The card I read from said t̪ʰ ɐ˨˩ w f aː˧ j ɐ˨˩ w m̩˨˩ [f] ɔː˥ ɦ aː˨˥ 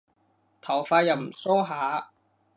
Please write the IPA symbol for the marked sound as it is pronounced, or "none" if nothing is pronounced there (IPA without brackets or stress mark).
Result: s